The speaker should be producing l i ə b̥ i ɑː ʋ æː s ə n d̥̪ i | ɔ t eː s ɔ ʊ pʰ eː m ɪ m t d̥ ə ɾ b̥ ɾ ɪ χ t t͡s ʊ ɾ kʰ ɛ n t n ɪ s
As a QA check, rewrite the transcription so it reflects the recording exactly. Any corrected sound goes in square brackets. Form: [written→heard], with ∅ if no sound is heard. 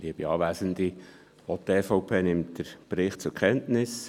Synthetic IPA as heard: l i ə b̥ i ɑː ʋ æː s ə n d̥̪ i | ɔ t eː [s→f] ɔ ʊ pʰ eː [m→n] ɪ m t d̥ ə ɾ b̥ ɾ ɪ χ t t͡s ʊ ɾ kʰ ɛ n t n ɪ s